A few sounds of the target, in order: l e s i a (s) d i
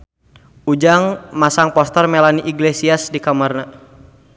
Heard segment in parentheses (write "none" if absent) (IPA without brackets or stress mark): s